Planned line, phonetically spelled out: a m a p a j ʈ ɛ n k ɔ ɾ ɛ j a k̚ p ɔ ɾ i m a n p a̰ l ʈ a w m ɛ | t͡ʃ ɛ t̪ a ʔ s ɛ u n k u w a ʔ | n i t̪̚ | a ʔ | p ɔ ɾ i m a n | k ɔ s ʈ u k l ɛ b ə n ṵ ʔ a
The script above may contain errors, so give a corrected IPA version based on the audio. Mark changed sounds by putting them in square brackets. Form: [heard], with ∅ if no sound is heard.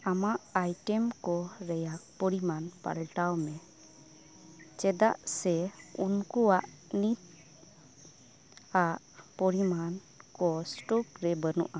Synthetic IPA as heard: a m a [ʔ] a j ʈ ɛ [m] k ɔ ɾ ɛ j a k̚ p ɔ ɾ i m a n p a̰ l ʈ a w m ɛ | t͡ʃ ɛ [d̪] a ʔ s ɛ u n k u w a ʔ | n i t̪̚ | a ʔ | p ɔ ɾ i m a n | k ɔ s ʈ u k [ɾ] ɛ b ə n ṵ ʔ a